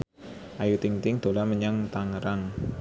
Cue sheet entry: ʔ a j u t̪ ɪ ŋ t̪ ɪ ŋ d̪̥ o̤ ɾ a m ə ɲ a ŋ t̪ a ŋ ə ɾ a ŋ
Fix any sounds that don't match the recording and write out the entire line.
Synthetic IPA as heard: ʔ a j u t̪ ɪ ŋ t̪ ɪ ŋ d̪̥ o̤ l a m ə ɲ a ŋ t̪ a ŋ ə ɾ a ŋ